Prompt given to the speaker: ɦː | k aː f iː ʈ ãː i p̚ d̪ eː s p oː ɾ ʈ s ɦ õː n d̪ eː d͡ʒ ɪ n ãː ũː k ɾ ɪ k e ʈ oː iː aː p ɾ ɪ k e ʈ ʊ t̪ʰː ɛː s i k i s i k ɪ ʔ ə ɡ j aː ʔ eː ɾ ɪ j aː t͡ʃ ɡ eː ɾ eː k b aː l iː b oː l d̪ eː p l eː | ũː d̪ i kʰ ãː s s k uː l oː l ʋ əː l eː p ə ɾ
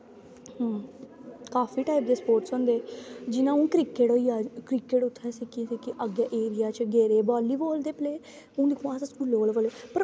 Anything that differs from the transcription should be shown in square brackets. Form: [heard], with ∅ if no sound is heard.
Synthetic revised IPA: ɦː | k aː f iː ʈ [aː] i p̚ d̪ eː s p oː ɾ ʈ s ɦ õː n d̪ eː d͡ʒ ɪ n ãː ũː k ɾ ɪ k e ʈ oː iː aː [k] ɾ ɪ k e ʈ ʊ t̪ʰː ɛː s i k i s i k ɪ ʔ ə ɡ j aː ʔ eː ɾ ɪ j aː t͡ʃ ɡ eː ɾ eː [∅] b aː l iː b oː l d̪ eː p l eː | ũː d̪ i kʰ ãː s s k uː l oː l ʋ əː l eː p ə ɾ